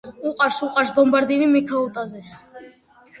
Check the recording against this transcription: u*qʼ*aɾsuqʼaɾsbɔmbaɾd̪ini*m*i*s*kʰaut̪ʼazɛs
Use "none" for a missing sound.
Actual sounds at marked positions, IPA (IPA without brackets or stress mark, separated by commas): qʼ, m, none